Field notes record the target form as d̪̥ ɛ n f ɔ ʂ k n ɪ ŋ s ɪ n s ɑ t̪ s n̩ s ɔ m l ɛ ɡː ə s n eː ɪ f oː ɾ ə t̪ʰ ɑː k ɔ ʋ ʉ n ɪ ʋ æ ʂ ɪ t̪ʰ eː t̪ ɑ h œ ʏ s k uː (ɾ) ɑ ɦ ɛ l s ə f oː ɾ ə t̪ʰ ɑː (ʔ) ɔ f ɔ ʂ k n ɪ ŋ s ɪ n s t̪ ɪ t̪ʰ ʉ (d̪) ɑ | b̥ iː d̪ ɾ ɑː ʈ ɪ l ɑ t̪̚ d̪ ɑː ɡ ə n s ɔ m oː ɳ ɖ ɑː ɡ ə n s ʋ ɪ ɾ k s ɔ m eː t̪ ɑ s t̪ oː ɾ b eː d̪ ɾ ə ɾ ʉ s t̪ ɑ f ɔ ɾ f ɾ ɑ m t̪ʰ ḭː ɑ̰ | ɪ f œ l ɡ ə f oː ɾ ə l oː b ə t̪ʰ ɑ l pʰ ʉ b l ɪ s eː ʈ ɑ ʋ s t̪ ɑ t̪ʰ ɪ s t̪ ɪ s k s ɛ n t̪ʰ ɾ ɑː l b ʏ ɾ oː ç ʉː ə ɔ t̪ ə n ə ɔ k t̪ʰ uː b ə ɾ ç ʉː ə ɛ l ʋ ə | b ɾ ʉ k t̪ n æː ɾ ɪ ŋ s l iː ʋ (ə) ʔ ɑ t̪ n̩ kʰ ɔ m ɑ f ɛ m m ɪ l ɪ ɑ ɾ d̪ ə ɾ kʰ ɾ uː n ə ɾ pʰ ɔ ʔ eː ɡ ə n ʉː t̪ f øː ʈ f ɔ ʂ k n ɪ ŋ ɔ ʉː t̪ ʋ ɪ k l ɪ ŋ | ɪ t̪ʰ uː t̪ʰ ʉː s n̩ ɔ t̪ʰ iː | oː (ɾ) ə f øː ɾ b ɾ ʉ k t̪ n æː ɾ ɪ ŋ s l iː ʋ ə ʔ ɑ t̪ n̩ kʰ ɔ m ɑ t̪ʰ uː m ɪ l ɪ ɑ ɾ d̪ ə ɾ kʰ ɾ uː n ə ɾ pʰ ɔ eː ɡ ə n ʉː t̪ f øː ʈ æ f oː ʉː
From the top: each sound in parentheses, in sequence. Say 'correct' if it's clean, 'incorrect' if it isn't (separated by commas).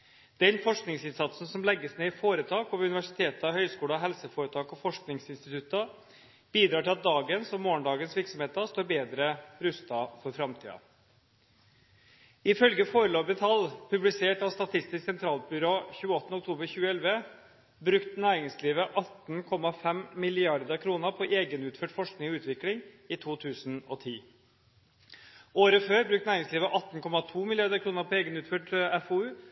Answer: incorrect, incorrect, incorrect, correct, correct